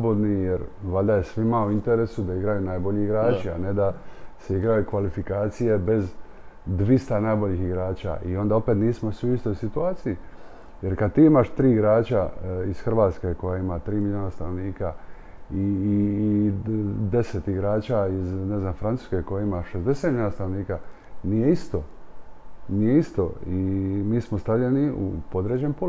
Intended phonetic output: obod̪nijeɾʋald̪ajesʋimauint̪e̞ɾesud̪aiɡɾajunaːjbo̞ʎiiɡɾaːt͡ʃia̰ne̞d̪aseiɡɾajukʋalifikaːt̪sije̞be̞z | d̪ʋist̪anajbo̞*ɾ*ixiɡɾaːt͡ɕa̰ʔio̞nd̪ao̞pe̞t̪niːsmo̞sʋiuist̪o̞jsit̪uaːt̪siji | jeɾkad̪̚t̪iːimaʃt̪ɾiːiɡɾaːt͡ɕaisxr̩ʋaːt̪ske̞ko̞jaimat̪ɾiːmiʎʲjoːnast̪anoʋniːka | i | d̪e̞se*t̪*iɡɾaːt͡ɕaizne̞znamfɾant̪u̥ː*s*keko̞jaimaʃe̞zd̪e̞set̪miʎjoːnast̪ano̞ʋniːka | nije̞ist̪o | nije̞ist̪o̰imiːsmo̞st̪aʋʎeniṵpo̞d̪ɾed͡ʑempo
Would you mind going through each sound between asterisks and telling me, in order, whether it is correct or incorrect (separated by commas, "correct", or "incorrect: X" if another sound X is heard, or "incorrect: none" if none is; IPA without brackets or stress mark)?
incorrect: ʎ, correct, correct